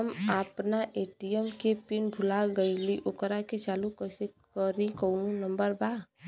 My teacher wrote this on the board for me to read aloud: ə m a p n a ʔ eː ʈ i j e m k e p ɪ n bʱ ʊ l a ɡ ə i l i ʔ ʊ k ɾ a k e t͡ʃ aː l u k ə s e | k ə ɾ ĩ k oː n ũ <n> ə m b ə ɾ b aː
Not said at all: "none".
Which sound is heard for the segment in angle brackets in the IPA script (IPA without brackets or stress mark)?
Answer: n